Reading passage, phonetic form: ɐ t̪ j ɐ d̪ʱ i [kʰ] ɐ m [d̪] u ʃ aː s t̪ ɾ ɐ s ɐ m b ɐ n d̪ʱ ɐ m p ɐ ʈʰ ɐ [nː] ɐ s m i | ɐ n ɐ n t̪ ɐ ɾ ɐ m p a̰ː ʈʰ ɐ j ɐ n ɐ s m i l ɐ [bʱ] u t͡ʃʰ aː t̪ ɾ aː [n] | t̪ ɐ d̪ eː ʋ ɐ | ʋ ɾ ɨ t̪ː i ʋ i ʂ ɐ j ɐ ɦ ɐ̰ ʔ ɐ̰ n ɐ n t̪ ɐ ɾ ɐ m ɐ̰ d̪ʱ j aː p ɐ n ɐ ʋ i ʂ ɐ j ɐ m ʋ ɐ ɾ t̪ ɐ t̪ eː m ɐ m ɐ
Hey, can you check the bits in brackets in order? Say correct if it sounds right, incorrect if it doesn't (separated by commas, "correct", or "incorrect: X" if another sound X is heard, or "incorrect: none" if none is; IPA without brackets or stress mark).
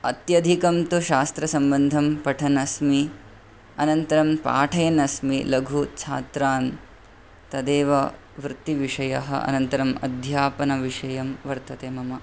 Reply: incorrect: k, incorrect: t̪, incorrect: n, incorrect: ɡʱ, correct